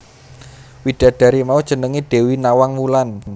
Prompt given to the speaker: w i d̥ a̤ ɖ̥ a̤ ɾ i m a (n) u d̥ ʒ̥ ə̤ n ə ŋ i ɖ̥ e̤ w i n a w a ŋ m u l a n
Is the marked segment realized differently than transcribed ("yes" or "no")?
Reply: yes